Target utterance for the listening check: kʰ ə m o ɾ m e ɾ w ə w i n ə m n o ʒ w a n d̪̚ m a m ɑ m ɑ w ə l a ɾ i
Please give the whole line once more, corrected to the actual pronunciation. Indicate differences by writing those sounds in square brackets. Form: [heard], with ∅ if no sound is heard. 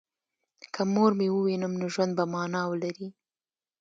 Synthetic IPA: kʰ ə m o ɾ m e [∅] w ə w i n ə m n o ʒ w a n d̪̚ [b] a m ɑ [n] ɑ w ə l a ɾ i

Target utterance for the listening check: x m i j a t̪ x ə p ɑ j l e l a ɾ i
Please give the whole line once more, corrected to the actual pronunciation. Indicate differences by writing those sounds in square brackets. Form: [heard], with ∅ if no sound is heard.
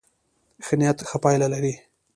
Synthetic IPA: x [n] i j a t̪ x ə p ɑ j l [a] l a ɾ i

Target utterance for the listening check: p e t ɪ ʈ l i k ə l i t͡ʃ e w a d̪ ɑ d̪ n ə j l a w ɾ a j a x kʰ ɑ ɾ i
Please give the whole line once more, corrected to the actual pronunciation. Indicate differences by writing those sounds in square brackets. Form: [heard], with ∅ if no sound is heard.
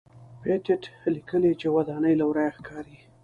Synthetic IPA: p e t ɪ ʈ l i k ə l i t͡ʃ e w a d̪ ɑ [∅] n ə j l a w ɾ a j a x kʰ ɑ ɾ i

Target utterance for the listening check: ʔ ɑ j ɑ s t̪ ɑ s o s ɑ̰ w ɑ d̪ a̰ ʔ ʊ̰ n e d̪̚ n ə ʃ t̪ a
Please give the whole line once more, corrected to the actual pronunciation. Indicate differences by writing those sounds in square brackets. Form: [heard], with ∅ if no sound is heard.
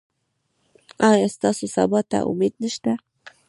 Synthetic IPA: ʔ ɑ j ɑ s t̪ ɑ s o s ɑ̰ [b] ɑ [t̪] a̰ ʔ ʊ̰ [m] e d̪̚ n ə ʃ t̪ a

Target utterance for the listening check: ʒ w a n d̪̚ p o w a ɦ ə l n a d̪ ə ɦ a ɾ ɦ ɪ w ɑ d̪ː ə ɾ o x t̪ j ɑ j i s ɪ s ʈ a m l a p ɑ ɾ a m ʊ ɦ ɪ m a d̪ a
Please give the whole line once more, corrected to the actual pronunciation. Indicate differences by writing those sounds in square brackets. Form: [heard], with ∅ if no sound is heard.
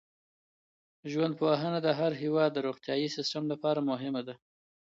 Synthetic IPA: ʒ w a n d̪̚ p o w a ɦ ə [∅] n a d̪ ə ɦ a ɾ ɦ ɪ w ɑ d̪ː ə ɾ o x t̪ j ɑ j i s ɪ s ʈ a m l a p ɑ ɾ a m ʊ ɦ ɪ m a d̪ a

